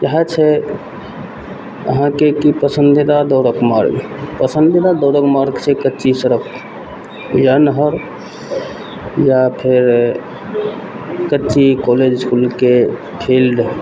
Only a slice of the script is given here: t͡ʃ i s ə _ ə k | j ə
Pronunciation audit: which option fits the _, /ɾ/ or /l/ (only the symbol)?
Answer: ɾ